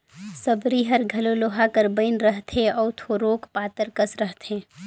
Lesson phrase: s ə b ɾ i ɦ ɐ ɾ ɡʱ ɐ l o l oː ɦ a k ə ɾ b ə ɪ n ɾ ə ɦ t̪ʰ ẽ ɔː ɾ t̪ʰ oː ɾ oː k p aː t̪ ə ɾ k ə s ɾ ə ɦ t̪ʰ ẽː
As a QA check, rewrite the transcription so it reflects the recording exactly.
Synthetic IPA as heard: s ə b ɾ i ɦ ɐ ɾ ɡʱ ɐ l o l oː ɦ a k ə ɾ b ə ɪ n ɾ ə ɦ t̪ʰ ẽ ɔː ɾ t̪ʰ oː ɾ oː k p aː t̪ ə ɾ k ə s ɾ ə ɦ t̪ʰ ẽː